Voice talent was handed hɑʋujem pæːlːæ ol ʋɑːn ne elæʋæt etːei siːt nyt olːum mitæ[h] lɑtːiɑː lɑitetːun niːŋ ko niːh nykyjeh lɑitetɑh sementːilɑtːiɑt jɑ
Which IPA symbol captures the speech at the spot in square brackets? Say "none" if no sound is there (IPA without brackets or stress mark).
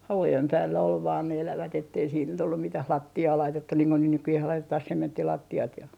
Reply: h